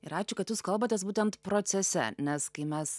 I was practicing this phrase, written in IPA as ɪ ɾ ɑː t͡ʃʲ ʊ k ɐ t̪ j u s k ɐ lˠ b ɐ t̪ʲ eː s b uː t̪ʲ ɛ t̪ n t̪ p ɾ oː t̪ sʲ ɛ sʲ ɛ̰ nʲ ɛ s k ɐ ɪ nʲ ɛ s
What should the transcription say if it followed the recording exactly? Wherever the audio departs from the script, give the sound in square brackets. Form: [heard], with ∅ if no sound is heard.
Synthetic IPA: ɪ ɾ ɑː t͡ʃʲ ʊ k ɐ t̪ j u s k ɐ lˠ b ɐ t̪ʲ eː s b uː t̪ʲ ɛ [∅] n t̪ p ɾ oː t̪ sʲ ɛ sʲ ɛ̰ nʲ ɛ s k ɐ ɪ [mʲ] ɛ s